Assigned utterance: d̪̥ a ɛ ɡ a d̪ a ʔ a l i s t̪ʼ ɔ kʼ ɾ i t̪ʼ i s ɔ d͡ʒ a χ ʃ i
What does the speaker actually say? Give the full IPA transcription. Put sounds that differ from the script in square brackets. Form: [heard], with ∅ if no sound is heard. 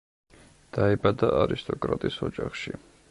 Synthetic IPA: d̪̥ a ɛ [b] a d̪ a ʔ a [ɾ] i s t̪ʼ ɔ kʼ ɾ [a] t̪ʼ i s ɔ d͡ʒ a χ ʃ i